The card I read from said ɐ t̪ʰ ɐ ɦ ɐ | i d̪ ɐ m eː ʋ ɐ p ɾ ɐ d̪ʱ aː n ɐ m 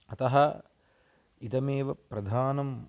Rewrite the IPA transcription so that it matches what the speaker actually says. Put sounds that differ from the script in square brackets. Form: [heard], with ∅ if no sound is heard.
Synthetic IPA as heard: ɐ [t̪] ɐ ɦ ɐ | i [t̪] ɐ m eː ʋ ɐ p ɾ ɐ d̪ʱ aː n ɐ m